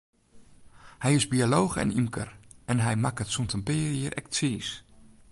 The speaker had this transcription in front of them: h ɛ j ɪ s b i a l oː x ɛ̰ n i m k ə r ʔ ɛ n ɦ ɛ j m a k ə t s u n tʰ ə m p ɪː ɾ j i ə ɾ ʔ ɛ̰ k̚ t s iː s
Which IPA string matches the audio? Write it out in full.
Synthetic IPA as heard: h ɛ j ɪ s b i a l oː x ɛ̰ n i m k ə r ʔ ɛ n ɦ ɛ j m a k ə t s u n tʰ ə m p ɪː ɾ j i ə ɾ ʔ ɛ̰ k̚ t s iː s